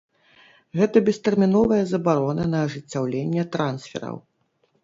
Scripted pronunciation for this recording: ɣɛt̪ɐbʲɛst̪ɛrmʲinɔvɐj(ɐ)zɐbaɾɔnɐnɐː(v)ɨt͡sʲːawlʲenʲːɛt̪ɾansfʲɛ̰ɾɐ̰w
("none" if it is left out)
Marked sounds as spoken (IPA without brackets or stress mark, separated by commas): ɐ, ʐ